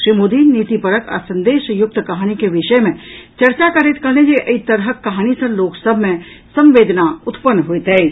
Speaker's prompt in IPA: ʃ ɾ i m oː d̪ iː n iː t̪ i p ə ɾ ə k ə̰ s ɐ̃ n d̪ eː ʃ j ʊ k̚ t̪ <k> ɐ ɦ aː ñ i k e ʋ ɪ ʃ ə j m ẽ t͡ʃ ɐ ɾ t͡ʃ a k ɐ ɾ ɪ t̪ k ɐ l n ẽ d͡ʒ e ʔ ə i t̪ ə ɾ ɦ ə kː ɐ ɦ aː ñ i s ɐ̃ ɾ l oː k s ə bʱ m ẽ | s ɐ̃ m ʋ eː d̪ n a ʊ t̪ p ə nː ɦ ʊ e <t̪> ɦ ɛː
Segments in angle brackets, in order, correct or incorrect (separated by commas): correct, correct